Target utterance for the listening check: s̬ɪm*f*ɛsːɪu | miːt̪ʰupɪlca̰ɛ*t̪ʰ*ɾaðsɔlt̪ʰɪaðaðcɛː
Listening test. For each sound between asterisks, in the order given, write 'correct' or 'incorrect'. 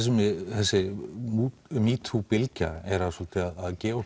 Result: incorrect, incorrect

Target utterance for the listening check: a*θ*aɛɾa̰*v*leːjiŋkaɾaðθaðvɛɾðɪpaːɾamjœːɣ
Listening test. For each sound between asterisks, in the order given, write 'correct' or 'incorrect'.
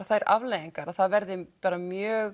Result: correct, correct

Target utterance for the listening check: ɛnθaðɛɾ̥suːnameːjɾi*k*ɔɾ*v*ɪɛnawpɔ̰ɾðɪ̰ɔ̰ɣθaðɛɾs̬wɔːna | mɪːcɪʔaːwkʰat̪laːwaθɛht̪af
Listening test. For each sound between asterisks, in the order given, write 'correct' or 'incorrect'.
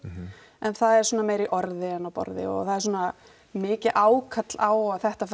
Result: incorrect, incorrect

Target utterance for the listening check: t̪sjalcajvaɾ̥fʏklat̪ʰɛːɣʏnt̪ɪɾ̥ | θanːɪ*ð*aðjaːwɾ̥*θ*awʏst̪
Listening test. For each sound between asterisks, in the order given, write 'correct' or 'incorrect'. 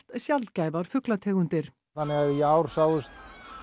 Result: incorrect, incorrect

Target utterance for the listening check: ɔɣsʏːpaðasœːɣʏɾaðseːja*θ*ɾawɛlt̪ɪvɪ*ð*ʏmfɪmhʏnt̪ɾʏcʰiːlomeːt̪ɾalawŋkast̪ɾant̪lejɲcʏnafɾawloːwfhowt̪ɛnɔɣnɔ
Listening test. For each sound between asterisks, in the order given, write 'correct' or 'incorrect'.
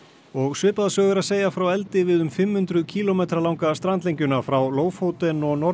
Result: incorrect, correct

